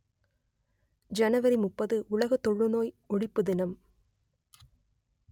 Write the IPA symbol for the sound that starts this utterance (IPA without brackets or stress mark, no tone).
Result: d͡ʒ